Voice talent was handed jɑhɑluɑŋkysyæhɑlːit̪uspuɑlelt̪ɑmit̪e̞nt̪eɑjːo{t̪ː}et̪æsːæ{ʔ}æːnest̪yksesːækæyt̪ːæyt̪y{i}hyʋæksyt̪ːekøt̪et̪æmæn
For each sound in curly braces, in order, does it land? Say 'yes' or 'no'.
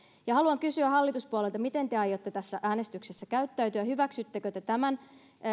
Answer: yes, yes, no

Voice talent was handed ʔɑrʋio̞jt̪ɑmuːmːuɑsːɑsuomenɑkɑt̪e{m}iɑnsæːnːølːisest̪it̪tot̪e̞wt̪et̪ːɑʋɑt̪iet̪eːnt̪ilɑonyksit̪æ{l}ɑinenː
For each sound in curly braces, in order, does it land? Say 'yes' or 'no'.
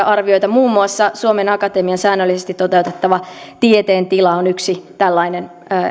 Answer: yes, no

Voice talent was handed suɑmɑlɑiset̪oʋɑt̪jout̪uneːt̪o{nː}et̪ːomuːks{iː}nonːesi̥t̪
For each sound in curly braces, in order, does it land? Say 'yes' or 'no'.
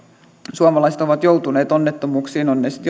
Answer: yes, yes

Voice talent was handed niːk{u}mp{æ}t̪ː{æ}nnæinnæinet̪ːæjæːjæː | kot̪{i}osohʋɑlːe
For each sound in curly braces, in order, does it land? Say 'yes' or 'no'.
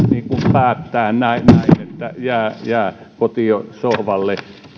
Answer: yes, no, no, yes

